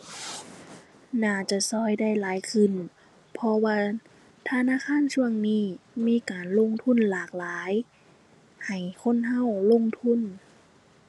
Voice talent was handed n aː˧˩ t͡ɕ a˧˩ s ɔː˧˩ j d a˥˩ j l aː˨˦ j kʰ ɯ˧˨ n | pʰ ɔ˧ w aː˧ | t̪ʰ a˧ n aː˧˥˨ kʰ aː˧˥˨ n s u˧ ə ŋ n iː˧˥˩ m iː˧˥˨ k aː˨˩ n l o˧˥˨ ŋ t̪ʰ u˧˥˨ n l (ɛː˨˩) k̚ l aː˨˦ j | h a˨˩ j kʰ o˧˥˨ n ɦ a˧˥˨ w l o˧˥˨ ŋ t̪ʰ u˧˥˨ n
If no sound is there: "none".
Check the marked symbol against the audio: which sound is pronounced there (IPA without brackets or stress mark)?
aː˨˩